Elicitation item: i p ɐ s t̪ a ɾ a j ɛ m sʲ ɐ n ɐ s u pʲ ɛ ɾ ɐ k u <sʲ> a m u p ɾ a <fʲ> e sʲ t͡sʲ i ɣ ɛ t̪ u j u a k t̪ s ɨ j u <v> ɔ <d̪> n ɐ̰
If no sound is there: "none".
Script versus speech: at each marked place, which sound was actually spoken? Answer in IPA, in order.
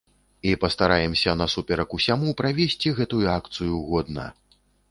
sʲ, vʲ, ɣ, d̪

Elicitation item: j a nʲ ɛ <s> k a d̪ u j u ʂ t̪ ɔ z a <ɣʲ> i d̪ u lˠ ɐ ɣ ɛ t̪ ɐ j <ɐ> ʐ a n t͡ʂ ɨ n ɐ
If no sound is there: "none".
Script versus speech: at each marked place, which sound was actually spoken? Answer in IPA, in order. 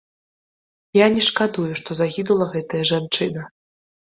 ʂ, ɣʲ, ɐ

